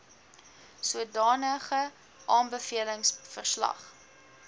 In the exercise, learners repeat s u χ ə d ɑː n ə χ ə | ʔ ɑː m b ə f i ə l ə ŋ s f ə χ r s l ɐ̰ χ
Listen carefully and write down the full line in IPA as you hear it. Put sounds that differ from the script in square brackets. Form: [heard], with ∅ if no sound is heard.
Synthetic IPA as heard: s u [∅] ə d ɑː n ə χ ə | ʔ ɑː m b ə f i ə l ə ŋ s f ə [∅] r s l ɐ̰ χ